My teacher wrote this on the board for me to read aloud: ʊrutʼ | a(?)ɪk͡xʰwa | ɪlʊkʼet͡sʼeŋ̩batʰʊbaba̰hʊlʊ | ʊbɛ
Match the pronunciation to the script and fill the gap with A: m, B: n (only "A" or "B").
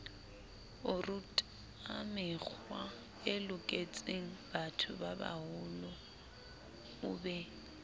A